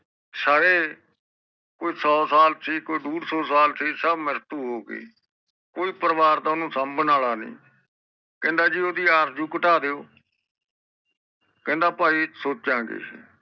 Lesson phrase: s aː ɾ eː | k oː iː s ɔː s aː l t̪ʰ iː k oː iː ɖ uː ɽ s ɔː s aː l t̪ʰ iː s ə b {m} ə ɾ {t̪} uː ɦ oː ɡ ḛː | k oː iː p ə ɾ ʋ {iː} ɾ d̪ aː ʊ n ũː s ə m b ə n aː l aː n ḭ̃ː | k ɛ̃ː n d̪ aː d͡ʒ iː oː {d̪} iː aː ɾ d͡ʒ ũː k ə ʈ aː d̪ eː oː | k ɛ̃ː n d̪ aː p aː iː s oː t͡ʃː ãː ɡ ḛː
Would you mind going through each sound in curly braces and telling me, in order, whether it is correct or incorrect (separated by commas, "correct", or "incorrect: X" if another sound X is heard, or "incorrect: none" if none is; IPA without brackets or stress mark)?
correct, correct, incorrect: aː, correct